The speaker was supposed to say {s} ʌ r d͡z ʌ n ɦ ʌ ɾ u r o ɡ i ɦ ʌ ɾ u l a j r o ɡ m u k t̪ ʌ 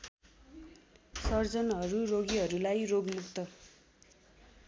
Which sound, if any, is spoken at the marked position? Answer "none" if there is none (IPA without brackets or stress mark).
s